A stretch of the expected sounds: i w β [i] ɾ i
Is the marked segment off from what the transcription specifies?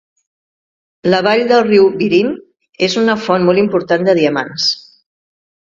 no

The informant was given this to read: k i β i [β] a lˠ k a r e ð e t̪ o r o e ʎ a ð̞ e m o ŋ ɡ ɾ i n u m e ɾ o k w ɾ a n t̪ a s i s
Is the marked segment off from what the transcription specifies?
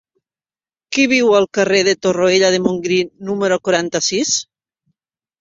yes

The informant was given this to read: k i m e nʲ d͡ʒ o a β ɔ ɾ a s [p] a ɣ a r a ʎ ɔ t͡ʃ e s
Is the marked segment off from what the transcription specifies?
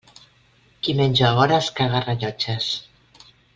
yes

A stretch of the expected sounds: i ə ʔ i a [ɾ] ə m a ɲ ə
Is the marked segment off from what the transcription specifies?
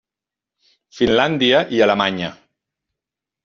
yes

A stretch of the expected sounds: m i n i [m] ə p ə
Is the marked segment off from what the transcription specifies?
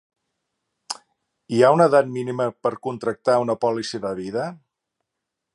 no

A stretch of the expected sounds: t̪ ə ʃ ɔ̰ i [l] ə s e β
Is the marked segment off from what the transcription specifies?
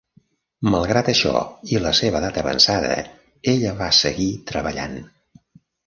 no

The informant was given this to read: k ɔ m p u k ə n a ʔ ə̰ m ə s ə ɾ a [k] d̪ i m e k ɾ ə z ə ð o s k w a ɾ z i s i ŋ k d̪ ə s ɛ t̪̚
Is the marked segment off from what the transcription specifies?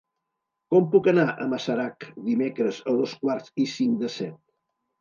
no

